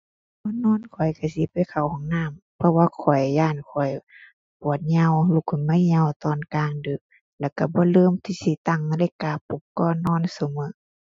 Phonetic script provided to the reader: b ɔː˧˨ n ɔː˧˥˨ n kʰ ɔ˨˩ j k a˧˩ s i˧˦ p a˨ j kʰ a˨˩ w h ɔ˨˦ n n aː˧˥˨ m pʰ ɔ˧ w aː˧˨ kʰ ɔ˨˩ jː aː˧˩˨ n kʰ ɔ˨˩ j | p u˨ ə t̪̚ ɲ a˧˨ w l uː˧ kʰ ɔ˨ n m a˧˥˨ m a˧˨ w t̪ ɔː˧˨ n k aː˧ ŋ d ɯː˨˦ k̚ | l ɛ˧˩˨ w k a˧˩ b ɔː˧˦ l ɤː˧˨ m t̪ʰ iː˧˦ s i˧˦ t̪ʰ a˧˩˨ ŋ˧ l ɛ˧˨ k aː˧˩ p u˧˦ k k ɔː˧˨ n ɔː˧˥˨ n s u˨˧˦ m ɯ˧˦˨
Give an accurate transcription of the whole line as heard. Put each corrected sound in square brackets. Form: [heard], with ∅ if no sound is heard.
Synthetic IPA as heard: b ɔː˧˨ n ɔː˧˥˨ n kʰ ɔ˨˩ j k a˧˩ s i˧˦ p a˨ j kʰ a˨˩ w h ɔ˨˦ [ŋ] n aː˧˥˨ m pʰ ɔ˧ w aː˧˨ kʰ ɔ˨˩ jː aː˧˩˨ n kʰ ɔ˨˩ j | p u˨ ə t̪̚ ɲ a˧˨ w l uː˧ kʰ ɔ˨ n m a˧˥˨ [ɲ] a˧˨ w t̪ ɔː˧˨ n k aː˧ ŋ d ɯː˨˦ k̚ | l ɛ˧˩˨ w k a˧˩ b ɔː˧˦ l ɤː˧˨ m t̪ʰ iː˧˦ s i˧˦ [t̪] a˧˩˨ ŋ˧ l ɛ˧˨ k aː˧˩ p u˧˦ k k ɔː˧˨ n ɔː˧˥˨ n s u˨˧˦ m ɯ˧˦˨